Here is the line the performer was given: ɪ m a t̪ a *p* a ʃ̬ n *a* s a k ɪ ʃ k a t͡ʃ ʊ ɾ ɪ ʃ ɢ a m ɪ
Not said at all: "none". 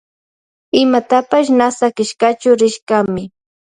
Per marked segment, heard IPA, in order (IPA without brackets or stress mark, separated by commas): p, a